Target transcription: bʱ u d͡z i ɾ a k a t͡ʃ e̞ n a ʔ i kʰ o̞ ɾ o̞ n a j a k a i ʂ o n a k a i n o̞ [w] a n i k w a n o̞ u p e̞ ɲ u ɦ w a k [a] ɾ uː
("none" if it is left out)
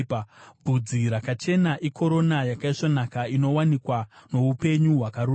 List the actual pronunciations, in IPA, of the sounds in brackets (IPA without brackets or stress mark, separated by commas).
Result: w, a